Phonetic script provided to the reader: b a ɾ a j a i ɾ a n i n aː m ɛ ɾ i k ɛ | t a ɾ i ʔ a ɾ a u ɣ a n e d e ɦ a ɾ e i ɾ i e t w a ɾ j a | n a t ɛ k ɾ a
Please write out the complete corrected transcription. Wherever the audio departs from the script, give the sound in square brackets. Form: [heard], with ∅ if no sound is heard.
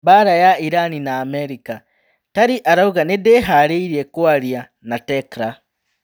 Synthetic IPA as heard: b a ɾ a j a i ɾ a n i n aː m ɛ ɾ i k [a] | t a ɾ i ʔ a ɾ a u ɣ a n e d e ɦ a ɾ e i ɾ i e [k] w a ɾ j a | n a t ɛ k ɾ a